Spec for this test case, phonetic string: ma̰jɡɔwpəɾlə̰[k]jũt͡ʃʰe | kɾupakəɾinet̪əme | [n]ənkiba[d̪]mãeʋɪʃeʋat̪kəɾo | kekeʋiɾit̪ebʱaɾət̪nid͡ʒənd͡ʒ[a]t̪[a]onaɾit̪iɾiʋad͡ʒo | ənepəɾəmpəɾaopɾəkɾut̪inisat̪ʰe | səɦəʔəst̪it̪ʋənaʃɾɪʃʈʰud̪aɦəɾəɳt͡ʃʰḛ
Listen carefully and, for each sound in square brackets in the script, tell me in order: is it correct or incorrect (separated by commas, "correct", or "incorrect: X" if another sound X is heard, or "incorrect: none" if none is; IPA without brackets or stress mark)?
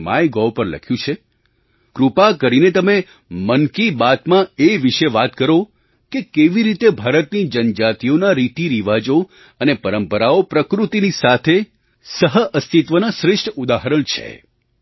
incorrect: kʰ, incorrect: m, incorrect: t̪, correct, incorrect: i